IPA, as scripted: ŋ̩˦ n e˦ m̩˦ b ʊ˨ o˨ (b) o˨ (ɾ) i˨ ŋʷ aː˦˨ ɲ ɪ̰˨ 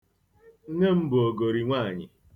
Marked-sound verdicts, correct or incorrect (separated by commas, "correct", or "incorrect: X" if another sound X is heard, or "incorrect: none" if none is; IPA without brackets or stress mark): incorrect: ɡ, correct